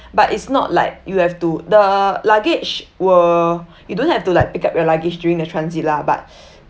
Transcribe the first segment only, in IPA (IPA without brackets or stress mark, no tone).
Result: b